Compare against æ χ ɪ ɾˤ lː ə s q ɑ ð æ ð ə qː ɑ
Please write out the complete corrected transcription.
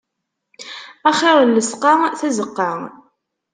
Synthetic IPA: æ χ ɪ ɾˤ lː ə s q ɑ θ æ z ə qː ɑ